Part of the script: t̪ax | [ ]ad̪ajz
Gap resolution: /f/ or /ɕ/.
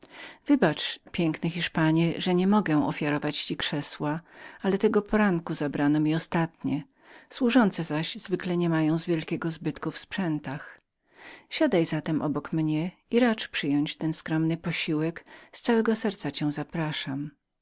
ɕ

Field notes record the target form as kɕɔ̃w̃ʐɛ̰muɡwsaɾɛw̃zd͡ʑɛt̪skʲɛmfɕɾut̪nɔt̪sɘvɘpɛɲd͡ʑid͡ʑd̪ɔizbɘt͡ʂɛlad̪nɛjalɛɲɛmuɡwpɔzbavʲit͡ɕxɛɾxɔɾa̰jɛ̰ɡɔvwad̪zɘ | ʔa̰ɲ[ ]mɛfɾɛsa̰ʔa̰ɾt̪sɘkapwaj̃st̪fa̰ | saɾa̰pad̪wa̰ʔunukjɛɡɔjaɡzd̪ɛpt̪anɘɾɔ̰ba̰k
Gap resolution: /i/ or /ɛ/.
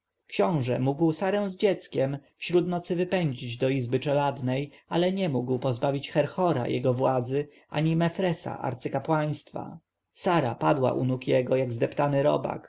i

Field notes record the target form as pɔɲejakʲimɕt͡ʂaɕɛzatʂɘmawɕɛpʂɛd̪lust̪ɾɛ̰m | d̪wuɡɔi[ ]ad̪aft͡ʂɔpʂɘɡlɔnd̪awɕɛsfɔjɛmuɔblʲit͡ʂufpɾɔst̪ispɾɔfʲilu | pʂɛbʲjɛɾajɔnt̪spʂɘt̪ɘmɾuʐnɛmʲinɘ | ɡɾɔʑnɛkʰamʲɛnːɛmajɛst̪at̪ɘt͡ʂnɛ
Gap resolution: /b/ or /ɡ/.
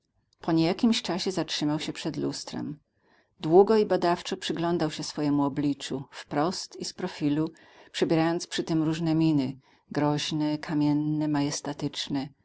b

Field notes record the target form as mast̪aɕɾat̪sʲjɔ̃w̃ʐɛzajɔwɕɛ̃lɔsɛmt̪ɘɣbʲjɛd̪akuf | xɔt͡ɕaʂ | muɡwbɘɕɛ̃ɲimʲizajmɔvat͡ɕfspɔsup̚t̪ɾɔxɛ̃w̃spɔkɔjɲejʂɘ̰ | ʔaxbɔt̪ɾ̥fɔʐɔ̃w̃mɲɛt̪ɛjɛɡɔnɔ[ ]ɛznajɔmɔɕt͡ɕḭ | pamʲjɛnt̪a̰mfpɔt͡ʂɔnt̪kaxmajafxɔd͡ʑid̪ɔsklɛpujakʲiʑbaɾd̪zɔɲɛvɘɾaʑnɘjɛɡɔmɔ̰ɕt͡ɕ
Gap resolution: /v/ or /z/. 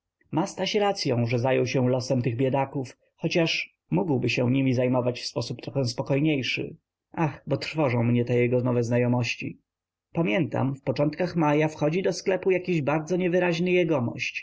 v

